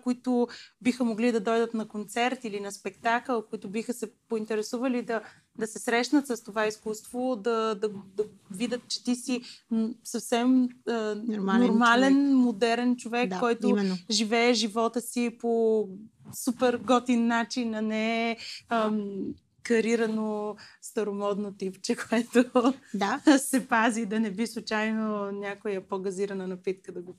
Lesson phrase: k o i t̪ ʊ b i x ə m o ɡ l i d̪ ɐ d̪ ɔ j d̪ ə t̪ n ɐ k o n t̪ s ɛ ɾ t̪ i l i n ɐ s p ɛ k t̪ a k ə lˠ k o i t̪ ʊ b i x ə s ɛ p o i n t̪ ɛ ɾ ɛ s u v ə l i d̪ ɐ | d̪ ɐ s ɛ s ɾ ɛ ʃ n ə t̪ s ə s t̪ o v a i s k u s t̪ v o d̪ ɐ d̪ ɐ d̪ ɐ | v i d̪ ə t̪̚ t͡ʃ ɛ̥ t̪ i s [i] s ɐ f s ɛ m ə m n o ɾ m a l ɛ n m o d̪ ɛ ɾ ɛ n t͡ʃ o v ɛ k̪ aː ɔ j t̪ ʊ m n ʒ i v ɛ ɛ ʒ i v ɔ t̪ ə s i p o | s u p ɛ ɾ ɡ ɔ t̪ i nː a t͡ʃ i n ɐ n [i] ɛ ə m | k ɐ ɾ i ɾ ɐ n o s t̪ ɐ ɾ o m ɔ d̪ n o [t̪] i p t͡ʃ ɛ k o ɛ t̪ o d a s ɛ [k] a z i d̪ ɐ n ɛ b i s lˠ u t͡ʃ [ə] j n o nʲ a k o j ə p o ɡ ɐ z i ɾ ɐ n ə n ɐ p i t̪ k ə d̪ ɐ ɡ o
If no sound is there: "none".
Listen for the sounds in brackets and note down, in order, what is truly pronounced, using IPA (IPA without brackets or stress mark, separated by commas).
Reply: i, ɛ, t̪, p, a